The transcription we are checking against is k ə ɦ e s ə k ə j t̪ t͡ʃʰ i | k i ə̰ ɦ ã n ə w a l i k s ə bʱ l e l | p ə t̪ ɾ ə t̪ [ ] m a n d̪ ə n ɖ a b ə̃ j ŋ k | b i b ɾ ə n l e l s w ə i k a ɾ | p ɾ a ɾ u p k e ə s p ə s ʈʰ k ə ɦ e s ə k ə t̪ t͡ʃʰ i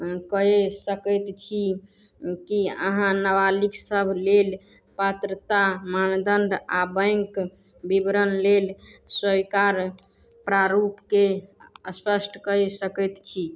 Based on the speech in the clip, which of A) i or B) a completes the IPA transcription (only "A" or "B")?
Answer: B